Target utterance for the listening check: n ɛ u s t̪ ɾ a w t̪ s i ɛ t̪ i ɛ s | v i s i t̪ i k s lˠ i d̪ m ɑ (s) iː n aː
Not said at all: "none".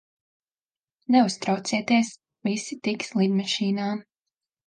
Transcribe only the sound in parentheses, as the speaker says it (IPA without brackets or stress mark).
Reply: ʃ